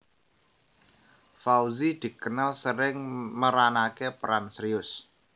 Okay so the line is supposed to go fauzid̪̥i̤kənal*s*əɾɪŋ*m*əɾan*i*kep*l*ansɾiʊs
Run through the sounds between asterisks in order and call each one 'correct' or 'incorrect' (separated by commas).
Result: correct, correct, incorrect, incorrect